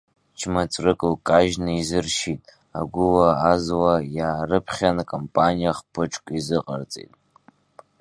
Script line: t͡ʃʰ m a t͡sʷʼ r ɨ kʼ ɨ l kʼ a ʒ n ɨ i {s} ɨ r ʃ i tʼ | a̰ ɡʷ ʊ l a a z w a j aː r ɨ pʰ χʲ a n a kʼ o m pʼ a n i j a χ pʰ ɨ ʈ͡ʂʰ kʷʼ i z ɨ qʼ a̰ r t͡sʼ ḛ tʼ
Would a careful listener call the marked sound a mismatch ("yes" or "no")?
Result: yes